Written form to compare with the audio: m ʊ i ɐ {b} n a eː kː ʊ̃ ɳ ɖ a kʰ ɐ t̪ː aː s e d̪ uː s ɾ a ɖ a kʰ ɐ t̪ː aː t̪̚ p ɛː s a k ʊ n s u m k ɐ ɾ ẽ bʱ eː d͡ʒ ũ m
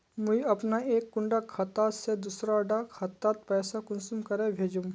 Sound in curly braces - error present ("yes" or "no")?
yes